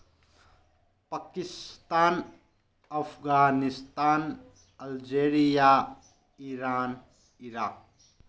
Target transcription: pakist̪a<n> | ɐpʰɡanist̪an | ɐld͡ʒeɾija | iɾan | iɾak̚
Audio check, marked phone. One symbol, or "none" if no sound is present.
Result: n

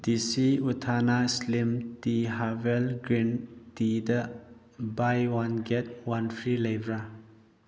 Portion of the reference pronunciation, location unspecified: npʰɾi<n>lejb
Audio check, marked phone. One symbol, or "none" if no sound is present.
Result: none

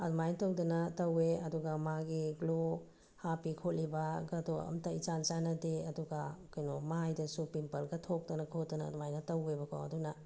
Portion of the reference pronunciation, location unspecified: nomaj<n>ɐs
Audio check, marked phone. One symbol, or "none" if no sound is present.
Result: d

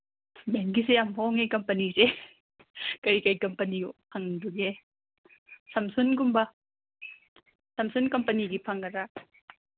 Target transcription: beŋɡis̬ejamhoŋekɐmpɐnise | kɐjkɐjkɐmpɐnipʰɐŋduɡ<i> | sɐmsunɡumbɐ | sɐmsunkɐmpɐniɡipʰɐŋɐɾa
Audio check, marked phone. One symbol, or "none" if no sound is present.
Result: e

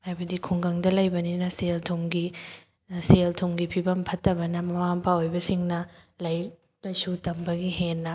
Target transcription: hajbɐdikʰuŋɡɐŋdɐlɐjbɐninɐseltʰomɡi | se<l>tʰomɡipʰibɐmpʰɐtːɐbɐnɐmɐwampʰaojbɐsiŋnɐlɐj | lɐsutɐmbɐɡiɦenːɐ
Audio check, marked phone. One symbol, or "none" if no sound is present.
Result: l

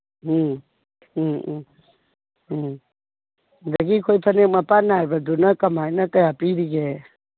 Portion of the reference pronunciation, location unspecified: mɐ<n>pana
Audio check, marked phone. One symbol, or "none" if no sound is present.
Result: none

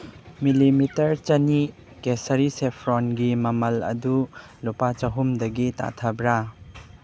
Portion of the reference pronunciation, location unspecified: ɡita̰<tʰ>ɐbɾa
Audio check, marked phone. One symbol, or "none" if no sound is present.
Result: tʰ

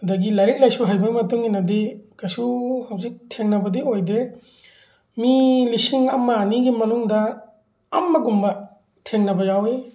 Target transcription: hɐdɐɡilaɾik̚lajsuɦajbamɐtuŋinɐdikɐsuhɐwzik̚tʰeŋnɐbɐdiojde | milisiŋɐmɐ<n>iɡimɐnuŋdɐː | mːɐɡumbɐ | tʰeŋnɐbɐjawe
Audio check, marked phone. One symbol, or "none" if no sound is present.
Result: n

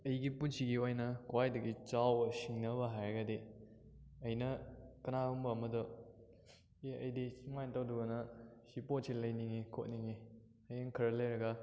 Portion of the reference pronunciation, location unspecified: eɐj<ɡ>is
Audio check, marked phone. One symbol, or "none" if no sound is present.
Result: d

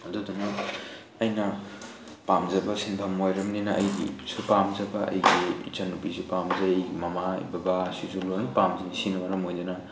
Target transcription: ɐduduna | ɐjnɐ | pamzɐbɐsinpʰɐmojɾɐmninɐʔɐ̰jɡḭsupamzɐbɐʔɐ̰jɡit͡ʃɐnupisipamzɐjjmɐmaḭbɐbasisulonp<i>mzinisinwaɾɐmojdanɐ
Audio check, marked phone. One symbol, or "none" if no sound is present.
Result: a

